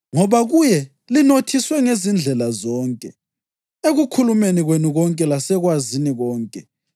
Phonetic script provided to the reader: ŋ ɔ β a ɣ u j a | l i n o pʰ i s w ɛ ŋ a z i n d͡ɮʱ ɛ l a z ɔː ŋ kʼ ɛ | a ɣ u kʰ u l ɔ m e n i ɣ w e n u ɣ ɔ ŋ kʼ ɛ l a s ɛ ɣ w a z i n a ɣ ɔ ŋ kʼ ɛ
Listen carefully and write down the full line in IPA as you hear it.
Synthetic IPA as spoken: ŋ ɔ β a ɣ u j ɛ | l i n o tʰ i s w ɛ ŋ e z i n d͡ɮʱ ɛ l a z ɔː ŋ kʼ ɛ | e ɣ u kʰ u l u m e n i ɣ w e n u ɣ ɔ ŋ kʼ ɛ l a s ɛ ɣ w a z i n i ɣ ɔː ŋ kʼ ɛ